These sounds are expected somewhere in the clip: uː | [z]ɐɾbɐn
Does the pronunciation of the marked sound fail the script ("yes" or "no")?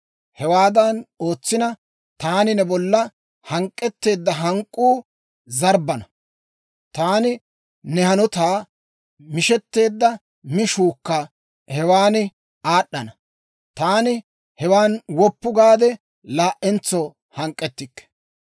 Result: no